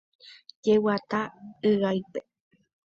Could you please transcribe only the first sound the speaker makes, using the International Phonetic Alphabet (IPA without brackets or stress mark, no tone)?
d͡ʒ